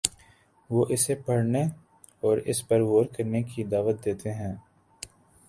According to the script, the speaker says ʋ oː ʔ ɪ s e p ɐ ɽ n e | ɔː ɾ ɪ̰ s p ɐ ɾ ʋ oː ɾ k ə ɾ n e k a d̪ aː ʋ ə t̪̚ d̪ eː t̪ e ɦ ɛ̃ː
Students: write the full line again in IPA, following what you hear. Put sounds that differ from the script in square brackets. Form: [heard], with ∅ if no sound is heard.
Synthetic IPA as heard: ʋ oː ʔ ɪ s e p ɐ ɽ n e | ɔː ɾ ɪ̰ s p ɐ ɾ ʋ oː ɾ k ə ɾ n e k [i] d̪ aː ʋ ə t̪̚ d̪ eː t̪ e ɦ ɛ̃ː